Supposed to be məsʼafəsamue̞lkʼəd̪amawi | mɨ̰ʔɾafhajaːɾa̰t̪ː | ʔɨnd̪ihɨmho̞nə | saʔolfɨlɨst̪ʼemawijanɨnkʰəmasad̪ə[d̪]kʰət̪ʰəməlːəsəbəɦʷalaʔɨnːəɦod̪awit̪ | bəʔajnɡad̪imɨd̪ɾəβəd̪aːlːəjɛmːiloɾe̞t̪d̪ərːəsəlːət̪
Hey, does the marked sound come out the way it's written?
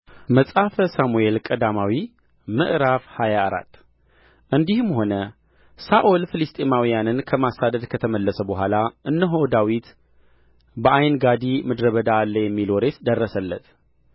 yes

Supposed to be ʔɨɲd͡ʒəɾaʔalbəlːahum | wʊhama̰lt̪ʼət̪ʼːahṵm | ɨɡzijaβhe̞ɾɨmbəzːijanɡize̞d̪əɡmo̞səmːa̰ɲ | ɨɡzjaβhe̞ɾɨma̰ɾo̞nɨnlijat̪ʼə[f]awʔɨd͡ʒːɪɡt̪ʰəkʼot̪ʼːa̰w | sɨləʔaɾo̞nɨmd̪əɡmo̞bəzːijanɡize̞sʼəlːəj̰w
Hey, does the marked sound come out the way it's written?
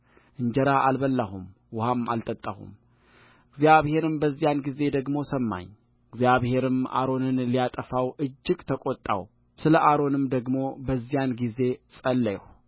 yes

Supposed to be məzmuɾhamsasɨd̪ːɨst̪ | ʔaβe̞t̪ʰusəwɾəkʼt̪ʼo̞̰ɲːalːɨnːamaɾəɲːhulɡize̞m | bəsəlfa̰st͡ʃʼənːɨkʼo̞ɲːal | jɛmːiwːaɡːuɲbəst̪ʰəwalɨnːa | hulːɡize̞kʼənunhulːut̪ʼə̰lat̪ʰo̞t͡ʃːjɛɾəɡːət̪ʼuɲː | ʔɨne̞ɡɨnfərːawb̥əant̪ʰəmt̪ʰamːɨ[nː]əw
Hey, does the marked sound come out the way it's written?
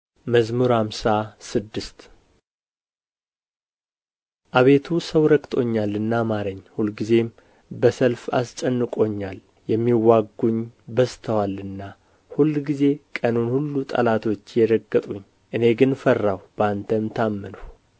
no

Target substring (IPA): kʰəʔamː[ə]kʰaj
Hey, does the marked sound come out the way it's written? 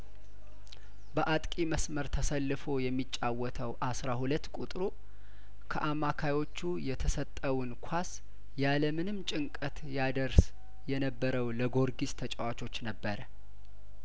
no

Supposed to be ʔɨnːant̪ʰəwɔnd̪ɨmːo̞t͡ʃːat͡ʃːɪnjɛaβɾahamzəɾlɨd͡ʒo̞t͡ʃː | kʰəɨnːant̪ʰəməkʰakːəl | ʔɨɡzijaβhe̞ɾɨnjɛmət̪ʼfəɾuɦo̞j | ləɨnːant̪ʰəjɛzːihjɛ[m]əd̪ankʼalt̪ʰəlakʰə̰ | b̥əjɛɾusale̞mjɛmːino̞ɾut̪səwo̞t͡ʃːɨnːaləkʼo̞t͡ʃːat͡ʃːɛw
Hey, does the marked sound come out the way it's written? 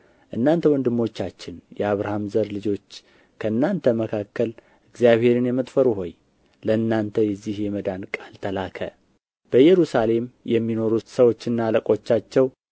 yes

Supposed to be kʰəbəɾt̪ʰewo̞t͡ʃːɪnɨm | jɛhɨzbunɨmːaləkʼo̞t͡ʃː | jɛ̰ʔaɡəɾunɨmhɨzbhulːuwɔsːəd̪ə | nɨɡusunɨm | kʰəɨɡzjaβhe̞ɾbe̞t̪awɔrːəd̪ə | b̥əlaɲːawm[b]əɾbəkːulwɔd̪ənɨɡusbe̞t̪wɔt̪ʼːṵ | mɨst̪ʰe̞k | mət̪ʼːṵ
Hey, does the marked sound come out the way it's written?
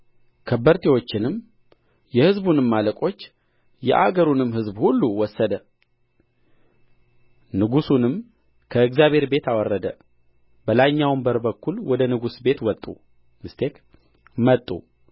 yes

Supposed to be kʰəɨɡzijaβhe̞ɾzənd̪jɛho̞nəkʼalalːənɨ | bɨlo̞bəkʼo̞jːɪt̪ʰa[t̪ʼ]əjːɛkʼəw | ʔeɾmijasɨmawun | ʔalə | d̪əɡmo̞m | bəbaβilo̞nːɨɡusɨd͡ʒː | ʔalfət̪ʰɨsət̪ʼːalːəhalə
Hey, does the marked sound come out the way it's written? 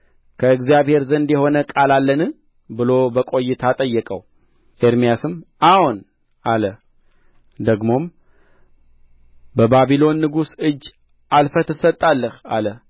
yes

